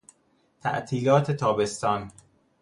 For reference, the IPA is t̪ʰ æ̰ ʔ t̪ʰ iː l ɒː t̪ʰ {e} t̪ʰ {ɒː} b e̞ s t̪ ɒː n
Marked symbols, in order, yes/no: yes, yes

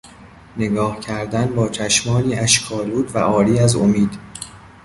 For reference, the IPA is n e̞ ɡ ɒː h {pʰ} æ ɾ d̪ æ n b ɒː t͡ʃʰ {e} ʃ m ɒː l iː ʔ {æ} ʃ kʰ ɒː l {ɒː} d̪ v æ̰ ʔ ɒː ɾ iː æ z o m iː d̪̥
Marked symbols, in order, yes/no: no, no, yes, no

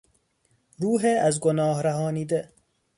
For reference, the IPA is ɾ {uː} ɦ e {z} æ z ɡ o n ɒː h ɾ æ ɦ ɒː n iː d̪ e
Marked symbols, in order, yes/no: yes, no

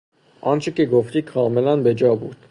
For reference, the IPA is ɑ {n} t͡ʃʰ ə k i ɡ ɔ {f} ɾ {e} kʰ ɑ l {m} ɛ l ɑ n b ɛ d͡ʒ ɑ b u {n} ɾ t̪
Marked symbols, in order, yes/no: yes, yes, no, yes, no

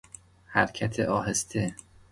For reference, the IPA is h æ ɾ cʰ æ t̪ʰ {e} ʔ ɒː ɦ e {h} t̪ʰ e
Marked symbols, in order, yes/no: yes, no

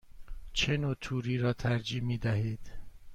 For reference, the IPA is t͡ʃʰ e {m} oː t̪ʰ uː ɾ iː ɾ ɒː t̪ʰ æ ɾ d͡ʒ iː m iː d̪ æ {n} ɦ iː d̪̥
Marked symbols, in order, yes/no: no, no

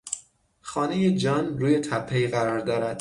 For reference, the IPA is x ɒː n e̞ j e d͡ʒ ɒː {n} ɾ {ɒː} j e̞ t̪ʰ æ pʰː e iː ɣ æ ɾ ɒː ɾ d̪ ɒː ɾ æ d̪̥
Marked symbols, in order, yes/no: yes, no

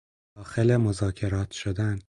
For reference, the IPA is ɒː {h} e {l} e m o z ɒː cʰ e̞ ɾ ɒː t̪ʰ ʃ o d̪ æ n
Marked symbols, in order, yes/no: no, yes

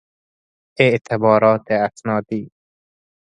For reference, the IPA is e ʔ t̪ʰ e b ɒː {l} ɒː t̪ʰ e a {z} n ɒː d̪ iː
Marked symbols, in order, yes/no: no, no

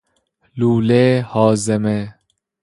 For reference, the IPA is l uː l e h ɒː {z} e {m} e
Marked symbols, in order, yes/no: yes, yes

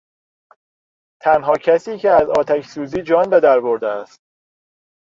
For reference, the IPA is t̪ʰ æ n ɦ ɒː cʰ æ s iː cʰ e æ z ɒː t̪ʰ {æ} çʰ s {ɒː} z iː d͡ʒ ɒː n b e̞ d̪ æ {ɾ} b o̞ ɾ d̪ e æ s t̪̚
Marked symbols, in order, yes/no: yes, no, yes

